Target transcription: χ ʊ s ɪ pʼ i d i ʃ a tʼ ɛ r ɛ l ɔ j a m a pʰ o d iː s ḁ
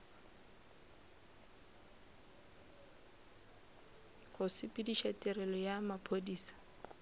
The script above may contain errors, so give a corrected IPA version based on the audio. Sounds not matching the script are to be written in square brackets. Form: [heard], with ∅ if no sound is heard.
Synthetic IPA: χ ʊ s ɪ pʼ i d i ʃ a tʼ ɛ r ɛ l ɔ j a m a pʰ o d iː s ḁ